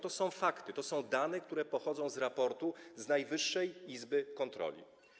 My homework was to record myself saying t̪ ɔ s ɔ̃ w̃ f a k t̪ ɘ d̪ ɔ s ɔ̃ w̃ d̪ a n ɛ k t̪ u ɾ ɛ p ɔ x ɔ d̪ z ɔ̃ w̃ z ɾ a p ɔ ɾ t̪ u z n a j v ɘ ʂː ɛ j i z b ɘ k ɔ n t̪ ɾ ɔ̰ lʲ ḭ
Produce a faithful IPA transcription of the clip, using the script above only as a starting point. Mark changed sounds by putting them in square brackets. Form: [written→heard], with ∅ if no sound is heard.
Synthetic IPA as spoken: t̪ ɔ s ɔ̃ w̃ f a k t̪ ɘ [d̪→t̪] ɔ s ɔ̃ w̃ d̪ a n ɛ k t̪ u ɾ ɛ p ɔ x ɔ d̪ z ɔ̃ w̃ z ɾ a p ɔ ɾ t̪ u z n a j v ɘ ʂː ɛ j i z b ɘ k ɔ n t̪ ɾ ɔ̰ lʲ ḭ